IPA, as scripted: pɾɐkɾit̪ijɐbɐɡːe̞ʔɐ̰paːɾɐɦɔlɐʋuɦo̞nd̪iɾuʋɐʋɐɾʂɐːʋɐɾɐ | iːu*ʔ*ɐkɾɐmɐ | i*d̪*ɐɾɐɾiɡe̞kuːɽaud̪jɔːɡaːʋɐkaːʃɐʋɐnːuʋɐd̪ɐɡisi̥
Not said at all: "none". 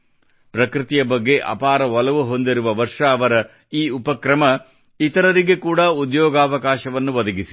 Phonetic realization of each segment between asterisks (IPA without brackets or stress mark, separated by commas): p, t̪